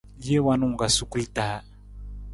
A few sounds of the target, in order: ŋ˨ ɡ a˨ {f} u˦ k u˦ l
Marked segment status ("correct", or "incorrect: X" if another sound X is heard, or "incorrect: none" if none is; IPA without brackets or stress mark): incorrect: s